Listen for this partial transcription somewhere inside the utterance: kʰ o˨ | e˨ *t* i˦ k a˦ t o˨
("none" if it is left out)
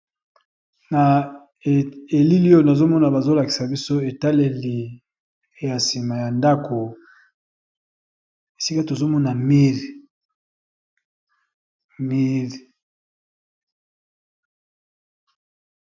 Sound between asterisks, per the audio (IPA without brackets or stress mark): s